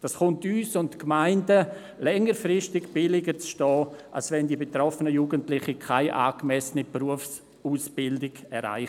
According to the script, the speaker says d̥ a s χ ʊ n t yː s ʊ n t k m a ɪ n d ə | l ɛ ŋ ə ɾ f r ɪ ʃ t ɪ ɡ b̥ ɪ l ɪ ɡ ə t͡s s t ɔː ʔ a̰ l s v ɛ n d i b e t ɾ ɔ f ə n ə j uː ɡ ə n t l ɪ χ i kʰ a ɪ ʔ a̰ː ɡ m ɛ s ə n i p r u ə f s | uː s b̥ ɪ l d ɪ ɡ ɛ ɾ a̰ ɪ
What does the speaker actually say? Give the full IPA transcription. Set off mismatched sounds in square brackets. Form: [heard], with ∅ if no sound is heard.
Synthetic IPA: d̥ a s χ ʊ n t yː s ʊ n t k m a ɪ n d ə | l ɛ ŋ ə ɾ f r ɪ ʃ t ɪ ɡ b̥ ɪ l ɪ ɡ ə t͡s [ʃ] t ɔː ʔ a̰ l s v ɛ n d i b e t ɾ ɔ f ə n ə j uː ɡ ə n t l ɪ χ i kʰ a ɪ ʔ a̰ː ɡ m ɛ s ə n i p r u ə f s | uː s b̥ ɪ l d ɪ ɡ ɛ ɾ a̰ ɪ